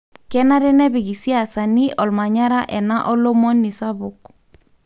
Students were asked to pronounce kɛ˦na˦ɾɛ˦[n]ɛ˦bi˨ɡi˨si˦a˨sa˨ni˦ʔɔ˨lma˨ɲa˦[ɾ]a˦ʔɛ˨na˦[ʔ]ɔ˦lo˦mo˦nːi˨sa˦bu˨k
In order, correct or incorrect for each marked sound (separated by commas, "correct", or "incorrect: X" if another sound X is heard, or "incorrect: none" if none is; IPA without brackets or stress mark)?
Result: correct, correct, correct